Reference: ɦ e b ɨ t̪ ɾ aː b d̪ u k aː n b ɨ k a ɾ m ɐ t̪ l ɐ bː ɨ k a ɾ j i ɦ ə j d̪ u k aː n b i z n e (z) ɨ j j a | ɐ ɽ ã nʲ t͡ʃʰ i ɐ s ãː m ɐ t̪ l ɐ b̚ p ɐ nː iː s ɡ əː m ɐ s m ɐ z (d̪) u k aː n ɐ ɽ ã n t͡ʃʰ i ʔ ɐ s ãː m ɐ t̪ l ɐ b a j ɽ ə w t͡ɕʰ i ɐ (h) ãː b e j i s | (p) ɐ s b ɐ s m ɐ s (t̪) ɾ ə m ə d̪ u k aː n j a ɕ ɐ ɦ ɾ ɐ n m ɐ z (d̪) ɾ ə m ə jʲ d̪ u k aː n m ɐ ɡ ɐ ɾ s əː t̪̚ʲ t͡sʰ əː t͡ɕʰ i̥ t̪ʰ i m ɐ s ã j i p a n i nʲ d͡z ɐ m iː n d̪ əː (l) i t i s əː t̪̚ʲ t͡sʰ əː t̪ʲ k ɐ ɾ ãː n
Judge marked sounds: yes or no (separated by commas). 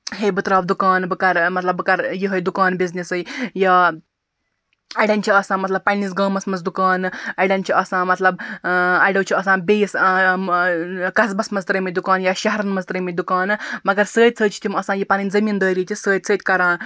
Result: no, yes, no, no, yes, no, no